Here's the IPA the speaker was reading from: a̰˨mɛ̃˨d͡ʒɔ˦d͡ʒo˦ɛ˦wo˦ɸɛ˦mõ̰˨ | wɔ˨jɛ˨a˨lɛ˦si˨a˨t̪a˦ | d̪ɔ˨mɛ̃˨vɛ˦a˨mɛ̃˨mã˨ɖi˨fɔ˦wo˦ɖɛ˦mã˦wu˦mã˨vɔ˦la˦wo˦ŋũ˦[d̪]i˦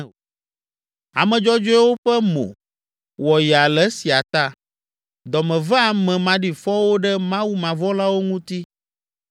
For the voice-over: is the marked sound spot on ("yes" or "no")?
no